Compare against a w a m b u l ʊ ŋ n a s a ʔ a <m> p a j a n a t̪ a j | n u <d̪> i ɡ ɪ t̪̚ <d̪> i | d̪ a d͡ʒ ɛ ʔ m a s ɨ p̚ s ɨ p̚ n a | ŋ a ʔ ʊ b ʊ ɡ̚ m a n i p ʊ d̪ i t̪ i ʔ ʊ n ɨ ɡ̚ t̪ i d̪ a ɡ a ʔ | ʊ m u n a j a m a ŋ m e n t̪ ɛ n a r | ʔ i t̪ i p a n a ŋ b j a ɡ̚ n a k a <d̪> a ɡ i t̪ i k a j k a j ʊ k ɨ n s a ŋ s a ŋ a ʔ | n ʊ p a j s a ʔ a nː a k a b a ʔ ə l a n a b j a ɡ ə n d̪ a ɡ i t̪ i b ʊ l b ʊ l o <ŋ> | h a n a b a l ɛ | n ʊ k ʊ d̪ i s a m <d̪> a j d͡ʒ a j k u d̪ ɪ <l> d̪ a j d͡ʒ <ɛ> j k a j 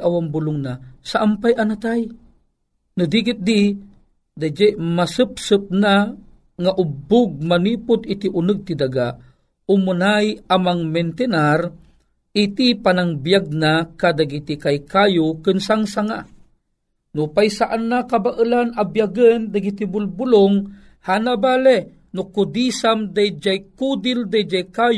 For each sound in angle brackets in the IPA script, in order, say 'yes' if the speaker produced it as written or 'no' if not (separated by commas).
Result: yes, yes, yes, yes, yes, yes, yes, no